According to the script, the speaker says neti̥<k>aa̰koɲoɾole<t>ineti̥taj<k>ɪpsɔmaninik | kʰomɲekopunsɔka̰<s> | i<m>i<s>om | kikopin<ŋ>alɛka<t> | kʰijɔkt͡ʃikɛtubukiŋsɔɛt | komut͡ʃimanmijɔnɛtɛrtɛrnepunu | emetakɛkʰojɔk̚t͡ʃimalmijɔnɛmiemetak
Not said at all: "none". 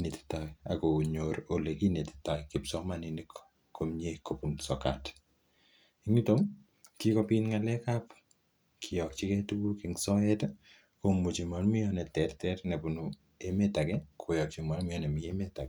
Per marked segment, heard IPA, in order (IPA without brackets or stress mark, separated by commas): t, k, k, t, ŋ, t, ŋ, p